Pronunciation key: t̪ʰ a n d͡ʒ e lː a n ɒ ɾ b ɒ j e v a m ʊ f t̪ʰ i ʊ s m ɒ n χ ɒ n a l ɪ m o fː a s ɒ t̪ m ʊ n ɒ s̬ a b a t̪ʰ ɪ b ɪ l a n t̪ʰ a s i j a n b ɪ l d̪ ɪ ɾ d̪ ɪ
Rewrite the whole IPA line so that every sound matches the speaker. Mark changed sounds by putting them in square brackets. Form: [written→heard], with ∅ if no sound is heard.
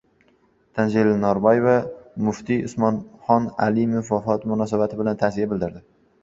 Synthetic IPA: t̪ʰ a n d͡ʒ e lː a n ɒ ɾ b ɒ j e v a m ʊ f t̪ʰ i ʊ s m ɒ n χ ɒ n a l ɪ m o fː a [s→f] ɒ t̪ m ʊ n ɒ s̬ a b a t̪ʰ ɪ b ɪ l a n t̪ʰ a s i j a [n→∅] b ɪ l d̪ ɪ ɾ d̪ ɪ

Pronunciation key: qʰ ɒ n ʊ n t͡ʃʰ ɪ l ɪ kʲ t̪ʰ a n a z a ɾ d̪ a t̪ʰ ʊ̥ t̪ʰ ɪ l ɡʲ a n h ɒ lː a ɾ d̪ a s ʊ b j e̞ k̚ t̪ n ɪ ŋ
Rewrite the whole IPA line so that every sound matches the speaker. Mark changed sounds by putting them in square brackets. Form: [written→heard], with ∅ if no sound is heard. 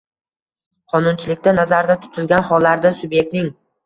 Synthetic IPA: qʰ ɒ n ʊ n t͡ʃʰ ɪ l ɪ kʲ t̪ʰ a n a z a ɾ d̪ a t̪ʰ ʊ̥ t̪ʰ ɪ l ɡʲ a n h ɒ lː a ɾ d̪ a s ʊ b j e̞ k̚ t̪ n ɪ ŋ

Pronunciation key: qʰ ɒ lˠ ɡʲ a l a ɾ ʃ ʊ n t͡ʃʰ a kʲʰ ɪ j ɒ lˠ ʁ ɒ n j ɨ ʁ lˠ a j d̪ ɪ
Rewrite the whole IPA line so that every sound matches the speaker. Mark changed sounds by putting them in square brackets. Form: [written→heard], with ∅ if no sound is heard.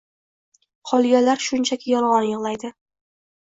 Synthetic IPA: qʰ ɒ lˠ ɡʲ a l a ɾ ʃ ʊ n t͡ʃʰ a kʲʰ ɪ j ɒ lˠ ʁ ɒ n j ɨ ʁ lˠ a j d̪ ɪ

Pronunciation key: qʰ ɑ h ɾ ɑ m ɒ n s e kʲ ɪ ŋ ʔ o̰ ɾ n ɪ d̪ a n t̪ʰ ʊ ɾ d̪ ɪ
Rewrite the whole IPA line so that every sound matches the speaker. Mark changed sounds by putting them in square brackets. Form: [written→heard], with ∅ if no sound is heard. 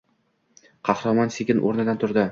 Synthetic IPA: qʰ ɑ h ɾ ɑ m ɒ n s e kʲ ɪ [ŋ→n] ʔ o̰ ɾ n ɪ d̪ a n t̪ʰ ʊ ɾ d̪ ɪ

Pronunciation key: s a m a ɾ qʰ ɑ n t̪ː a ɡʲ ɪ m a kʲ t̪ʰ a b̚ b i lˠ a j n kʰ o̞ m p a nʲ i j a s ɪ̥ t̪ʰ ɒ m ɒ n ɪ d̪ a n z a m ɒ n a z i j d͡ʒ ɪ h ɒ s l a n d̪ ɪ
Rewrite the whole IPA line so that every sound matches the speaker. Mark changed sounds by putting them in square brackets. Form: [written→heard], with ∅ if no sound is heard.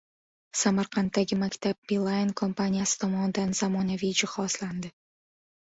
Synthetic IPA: s a m a ɾ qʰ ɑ n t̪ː a ɡʲ ɪ m a kʲ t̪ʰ a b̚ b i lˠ a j n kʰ o̞ m p a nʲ i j a s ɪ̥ t̪ʰ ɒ m ɒ n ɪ d̪ a n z a m ɒ n a [z→v] i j d͡ʒ ɪ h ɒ s l a n d̪ ɪ

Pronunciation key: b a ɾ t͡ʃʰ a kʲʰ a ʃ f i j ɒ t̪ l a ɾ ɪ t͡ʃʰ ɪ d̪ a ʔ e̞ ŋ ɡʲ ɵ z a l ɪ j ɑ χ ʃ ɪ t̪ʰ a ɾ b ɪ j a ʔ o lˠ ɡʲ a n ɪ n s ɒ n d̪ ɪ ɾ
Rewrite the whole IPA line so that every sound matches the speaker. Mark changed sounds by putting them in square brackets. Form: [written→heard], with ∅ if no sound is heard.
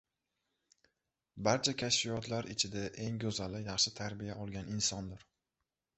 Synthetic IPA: b a ɾ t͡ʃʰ a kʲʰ a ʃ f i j ɒ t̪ l a ɾ ɪ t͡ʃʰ ɪ d̪ a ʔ e̞ ŋ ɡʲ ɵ z a l ɪ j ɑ χ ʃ ɪ t̪ʰ a ɾ b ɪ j a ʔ [o→ɒ] lˠ ɡʲ a n ɪ n s ɒ n d̪ ɪ ɾ

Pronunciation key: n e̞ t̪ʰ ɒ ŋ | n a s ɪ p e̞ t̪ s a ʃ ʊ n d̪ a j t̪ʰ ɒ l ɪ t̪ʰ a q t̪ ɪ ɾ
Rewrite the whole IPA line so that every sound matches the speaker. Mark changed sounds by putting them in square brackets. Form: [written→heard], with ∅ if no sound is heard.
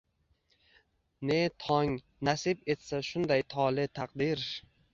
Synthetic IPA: n e̞ t̪ʰ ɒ ŋ | n a s ɪ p e̞ t̪ s a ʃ ʊ n d̪ a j t̪ʰ ɒ l ɪ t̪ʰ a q [t̪→d̪] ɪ ɾ

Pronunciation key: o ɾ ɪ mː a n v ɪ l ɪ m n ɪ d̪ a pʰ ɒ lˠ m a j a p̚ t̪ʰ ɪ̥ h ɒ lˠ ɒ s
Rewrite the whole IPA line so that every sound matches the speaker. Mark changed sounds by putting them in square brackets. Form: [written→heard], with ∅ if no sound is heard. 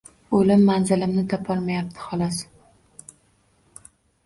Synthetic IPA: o [ɾ→l] ɪ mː a n [v→z] ɪ l ɪ m n ɪ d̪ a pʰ ɒ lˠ m a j a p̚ t̪ʰ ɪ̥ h ɒ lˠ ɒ s

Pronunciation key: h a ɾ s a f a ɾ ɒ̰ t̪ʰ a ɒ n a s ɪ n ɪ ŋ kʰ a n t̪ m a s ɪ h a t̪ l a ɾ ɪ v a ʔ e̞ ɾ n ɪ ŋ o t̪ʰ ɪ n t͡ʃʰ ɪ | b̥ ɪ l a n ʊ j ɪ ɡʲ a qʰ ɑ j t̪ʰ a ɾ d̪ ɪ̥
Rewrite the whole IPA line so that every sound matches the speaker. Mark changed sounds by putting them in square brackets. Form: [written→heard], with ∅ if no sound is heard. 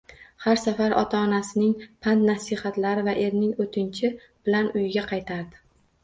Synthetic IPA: h a ɾ s a f a ɾ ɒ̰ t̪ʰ a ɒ n a s ɪ n ɪ ŋ [kʰ→pʰ] a n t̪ [m→n] a s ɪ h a t̪ l a ɾ ɪ v a ʔ e̞ ɾ n ɪ ŋ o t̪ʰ ɪ n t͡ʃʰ ɪ | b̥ ɪ l a n ʊ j ɪ ɡʲ a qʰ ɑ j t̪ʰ a ɾ d̪ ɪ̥

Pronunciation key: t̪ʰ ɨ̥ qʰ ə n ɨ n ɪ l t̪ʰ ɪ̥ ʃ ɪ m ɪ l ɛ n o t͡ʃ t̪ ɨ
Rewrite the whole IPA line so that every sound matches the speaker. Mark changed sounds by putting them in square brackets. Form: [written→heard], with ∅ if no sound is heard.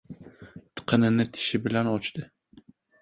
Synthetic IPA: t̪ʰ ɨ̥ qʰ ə n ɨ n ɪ [l→∅] t̪ʰ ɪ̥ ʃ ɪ [m→b] ɪ l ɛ n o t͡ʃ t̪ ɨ

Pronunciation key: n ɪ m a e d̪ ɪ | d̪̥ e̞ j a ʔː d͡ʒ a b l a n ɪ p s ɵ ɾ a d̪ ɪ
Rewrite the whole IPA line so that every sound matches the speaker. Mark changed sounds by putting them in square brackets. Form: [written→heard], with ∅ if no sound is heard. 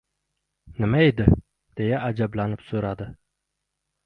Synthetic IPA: n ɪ m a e d̪ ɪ | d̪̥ e̞ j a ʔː d͡ʒ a b l a n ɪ p s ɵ ɾ a d̪ ɪ

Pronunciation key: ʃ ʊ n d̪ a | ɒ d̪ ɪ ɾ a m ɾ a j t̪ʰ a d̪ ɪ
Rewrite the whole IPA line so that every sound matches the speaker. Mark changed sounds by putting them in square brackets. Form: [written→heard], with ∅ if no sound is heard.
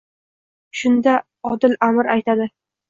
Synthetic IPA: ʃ ʊ n d̪ a | ɒ d̪ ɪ [ɾ→l] a m ɾ a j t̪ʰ a d̪ ɪ

